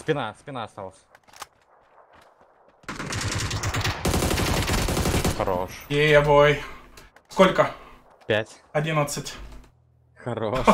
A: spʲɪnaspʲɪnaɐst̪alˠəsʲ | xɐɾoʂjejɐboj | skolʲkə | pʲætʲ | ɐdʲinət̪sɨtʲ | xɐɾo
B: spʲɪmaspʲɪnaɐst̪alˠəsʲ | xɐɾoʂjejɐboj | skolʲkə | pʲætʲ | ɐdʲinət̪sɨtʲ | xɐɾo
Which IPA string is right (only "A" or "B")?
A